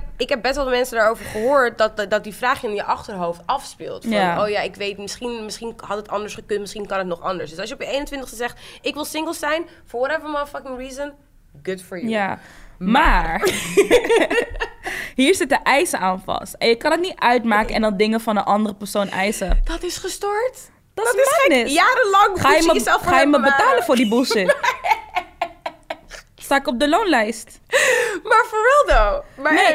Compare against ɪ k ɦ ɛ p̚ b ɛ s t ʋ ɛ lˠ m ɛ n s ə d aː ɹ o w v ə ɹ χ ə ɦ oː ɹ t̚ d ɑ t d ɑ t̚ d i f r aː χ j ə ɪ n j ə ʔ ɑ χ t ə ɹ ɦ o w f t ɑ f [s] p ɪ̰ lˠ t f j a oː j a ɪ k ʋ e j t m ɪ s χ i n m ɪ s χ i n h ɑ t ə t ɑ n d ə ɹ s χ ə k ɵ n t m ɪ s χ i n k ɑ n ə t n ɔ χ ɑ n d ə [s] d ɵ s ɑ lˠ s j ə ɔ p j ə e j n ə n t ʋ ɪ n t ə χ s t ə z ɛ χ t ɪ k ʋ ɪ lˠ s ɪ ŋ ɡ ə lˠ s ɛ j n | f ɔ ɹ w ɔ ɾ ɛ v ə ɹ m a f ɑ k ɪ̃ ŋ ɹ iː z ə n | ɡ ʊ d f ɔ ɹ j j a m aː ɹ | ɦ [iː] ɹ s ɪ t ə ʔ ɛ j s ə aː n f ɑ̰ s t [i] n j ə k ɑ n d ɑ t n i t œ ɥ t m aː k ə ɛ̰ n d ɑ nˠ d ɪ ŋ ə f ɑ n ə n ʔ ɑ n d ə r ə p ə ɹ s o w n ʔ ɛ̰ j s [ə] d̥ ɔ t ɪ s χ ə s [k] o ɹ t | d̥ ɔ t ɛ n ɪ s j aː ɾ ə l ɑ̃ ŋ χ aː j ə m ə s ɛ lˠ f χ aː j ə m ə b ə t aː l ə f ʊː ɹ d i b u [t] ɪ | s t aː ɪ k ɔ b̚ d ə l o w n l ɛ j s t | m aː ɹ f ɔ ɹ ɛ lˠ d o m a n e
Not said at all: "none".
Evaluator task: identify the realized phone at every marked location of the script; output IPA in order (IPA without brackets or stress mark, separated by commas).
s, s, iː, ɛ, ə, t, s